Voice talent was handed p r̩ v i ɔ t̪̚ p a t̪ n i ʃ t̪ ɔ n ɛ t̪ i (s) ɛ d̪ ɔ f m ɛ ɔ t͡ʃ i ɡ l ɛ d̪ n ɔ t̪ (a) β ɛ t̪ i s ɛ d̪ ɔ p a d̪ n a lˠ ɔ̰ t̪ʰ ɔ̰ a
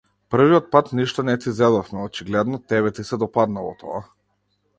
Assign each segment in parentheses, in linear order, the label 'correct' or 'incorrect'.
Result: incorrect: z, incorrect: ɛ

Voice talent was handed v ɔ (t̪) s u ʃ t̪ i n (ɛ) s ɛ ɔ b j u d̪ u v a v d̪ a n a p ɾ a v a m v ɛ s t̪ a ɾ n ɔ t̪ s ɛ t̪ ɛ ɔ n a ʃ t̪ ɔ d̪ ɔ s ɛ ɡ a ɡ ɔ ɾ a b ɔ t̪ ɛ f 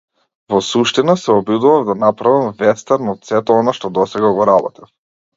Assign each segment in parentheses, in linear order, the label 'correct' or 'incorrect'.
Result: incorrect: none, incorrect: a

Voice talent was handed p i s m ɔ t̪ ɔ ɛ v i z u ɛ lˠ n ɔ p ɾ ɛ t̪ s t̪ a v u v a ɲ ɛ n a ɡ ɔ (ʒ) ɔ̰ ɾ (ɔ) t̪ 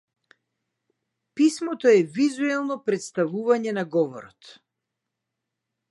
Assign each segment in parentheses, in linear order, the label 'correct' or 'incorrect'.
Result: incorrect: v, correct

